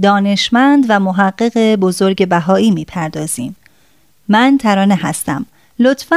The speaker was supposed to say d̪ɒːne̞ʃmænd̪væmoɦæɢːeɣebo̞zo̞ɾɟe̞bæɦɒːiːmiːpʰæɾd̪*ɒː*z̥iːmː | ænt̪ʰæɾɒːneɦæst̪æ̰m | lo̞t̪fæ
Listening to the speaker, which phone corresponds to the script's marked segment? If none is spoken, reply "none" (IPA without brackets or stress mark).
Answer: ɒː